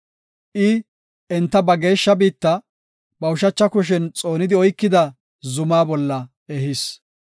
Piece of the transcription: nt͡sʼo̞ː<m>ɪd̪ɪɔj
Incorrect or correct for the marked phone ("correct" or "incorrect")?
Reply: incorrect